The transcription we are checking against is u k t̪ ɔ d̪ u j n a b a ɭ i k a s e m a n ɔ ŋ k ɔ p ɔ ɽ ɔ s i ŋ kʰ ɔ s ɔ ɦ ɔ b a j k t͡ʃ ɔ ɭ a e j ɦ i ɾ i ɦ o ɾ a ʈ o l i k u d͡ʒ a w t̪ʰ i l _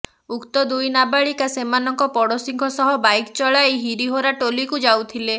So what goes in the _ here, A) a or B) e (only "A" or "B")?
B